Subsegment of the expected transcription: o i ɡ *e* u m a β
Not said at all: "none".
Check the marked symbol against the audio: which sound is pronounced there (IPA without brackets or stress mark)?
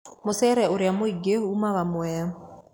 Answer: e